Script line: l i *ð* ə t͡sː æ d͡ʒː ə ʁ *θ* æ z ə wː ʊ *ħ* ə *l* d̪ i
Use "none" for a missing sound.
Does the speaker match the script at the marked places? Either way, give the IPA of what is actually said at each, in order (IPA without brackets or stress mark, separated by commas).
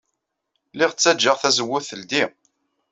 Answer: ʁ, θ, θ, l